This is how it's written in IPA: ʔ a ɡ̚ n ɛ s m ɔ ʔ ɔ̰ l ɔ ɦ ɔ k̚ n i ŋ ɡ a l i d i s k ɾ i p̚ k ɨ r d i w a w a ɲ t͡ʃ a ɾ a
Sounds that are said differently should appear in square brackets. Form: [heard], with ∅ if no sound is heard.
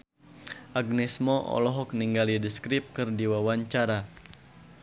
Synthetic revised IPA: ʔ a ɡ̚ n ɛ s m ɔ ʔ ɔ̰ l ɔ ɦ ɔ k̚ n i ŋ ɡ a l i d i s k ɾ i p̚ k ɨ r d i w a w a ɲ t͡ʃ a ɾ a

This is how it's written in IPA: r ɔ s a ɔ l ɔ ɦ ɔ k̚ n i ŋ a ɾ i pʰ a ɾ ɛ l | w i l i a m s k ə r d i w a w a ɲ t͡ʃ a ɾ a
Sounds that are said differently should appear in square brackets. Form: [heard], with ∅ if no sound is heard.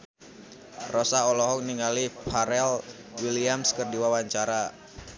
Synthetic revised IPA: r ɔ s a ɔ l ɔ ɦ ɔ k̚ n i ŋ a [l] i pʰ a ɾ ɛ l | w i l i a m s k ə r d i w a w a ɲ t͡ʃ a ɾ a

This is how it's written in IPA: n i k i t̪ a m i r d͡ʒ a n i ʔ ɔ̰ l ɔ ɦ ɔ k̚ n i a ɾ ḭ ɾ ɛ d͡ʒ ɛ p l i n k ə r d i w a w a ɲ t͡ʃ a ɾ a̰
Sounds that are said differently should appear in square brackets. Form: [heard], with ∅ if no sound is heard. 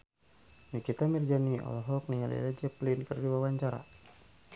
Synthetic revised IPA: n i k i t̪ a m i r d͡ʒ a n i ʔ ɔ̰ l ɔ ɦ ɔ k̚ n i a [l] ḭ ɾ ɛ d͡ʒ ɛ p l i n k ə r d i w a w a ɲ t͡ʃ a ɾ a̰

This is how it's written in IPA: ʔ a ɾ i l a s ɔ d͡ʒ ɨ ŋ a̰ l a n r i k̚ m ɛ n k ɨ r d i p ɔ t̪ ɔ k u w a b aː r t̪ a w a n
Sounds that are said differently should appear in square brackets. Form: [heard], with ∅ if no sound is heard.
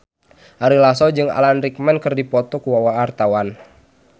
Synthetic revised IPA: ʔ a ɾ i l a s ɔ d͡ʒ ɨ ŋ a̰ l a n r i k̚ m ɛ n k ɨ r d i p ɔ t̪ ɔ k u w a [w] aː r t̪ a w a n

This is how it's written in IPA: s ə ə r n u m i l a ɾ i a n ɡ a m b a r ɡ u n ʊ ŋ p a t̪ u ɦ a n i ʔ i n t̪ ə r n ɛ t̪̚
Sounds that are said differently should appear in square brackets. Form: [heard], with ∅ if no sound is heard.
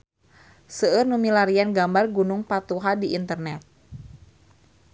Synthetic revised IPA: s ə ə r n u m i l a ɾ i a n ɡ a m b a r ɡ u n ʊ ŋ p a t̪ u ɦ a [d] i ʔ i n t̪ ə r n ɛ t̪̚

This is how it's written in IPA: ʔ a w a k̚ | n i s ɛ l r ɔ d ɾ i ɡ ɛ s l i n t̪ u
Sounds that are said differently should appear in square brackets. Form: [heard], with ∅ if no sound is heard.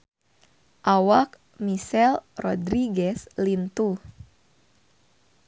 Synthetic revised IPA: ʔ a w a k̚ | [m] i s ɛ l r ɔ d ɾ i ɡ ɛ s l i n t̪ u

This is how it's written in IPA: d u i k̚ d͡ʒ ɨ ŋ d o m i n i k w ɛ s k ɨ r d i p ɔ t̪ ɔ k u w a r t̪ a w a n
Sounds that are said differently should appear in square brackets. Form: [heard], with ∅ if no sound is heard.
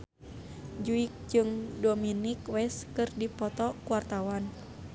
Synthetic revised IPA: [d͡ʒ] u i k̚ d͡ʒ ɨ ŋ d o m i n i k w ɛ s k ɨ r d i p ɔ t̪ ɔ k u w a r t̪ a w a n

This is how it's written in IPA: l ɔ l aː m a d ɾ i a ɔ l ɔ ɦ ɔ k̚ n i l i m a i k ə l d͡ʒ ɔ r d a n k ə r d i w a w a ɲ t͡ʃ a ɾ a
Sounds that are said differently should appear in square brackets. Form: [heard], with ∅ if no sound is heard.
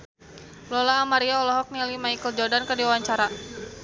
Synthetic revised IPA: l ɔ l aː m a [∅] ɾ i a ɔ l ɔ ɦ ɔ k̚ n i l i m a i k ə l d͡ʒ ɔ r d a n k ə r d i w a w a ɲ t͡ʃ a ɾ a

